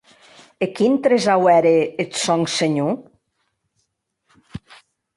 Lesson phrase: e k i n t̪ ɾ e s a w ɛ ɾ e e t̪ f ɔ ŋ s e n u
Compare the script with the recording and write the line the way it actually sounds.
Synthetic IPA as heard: e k i n t̪ ɾ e z a w ɛ ɾ e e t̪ s ɔ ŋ s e ɲ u